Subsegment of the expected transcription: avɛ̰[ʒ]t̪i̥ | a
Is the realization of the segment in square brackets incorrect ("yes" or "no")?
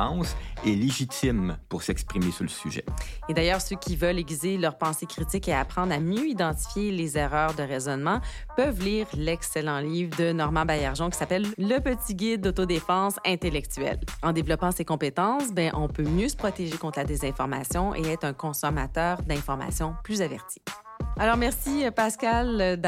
yes